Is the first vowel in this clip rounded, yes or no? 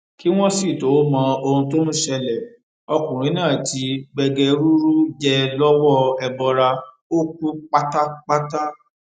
no